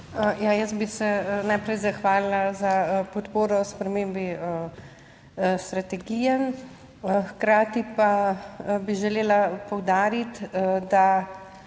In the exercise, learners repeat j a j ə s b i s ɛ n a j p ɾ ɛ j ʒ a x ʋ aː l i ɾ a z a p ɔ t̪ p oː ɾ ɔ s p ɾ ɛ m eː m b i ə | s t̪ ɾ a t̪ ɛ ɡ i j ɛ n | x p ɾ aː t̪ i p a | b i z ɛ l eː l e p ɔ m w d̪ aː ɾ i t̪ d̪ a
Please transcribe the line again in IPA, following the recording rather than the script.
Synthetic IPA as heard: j a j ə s b i s ɛ n a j p ɾ ɛ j z a x ʋ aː l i l a z a p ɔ t̪ p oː ɾ ɔ s p ɾ ɛ m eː m b i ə | s t̪ ɾ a t̪ ɛ ɡ i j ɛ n | x k ɾ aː t̪ i p a | b i ʒ ɛ l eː l a p ɔ w d̪ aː ɾ i t̪ d̪ a

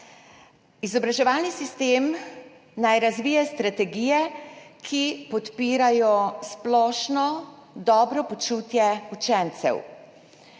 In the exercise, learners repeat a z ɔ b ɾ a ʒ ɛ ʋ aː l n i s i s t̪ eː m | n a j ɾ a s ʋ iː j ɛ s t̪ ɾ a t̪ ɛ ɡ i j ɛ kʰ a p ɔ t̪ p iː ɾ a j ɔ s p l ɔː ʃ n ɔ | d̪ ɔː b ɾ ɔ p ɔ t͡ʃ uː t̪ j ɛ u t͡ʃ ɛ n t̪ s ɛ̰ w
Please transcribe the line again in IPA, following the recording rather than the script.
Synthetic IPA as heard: i z ɔ b ɾ a ʒ ɛ ʋ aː l n i s i s t̪ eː m | n a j ɾ a z ʋ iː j ɛ s t̪ ɾ a t̪ ɛ ɡ i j ɛ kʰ i p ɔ t̪ p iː ɾ a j ɔ s p l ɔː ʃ n ɔ | d̪ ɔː b ɾ ɔ p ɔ t͡ʃ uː t̪ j ɛ u t͡ʃ ɛ n t̪ s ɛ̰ w

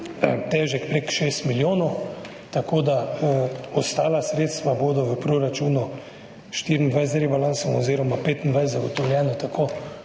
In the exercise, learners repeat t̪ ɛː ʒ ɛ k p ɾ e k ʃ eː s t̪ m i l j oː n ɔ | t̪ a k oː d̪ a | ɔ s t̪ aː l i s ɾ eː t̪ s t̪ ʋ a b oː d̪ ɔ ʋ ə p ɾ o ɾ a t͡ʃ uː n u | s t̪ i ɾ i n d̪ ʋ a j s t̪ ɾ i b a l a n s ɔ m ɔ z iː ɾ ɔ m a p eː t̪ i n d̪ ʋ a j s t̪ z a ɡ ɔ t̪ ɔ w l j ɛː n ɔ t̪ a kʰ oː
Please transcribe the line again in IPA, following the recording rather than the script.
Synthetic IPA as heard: t̪ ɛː ʒ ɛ k p ɾ e k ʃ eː s t̪ m i l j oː n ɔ | t̪ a k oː d̪ a | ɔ s t̪ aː l a s ɾ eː t̪ s t̪ ʋ a b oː d̪ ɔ ʋ ə p ɾ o ɾ a t͡ʃ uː n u | ʃ t̪ i ɾ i n d̪ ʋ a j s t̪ ɾ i b a l a n s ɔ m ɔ z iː ɾ ɔ m a p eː t̪ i n d̪ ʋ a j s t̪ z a ɡ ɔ t̪ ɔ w l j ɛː n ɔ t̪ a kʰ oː

